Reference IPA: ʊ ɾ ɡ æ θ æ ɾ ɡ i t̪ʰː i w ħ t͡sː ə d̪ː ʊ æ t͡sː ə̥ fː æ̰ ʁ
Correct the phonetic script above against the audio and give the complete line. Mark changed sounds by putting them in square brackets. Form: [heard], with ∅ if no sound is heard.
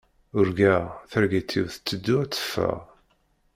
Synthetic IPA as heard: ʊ ɾ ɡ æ θ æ ɾ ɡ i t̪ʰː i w [θ] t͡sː ə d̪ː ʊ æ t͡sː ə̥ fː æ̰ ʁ